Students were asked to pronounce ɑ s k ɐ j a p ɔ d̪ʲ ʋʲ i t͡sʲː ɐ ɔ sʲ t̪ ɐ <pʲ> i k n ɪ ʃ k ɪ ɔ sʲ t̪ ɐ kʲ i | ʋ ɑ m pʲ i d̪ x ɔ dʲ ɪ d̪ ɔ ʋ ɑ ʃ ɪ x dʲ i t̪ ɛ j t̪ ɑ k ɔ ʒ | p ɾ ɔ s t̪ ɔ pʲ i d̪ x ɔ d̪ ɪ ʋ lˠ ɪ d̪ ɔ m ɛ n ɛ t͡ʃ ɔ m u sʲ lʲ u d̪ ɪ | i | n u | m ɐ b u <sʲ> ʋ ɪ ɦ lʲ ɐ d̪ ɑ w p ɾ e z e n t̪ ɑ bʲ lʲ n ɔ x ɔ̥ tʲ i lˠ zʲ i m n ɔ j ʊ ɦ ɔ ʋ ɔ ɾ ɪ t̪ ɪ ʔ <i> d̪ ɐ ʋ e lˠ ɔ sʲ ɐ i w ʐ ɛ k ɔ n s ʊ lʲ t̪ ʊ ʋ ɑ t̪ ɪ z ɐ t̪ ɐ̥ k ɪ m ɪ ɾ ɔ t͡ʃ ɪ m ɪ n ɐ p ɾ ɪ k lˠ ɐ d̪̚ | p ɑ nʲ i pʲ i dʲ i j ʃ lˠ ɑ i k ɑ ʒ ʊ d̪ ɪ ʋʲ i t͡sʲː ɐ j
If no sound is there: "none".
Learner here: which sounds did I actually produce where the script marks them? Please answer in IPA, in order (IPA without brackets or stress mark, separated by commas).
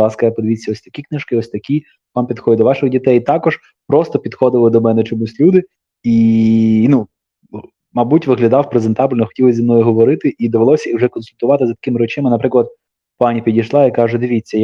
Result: kʲ, tʲ, i